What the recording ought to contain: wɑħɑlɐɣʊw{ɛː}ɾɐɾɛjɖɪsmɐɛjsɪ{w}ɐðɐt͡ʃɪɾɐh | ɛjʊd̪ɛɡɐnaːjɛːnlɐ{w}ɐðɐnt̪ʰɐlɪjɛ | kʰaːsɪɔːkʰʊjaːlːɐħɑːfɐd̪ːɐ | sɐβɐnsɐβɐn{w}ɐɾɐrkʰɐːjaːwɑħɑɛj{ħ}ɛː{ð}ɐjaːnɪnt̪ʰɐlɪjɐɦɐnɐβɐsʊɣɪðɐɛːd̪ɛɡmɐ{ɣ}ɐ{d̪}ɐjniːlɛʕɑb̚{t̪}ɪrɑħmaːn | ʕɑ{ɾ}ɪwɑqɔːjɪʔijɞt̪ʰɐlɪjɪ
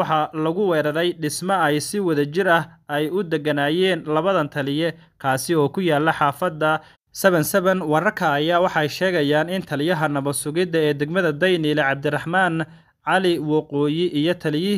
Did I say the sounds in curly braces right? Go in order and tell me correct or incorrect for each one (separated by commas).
correct, correct, incorrect, correct, incorrect, incorrect, incorrect, correct, incorrect, incorrect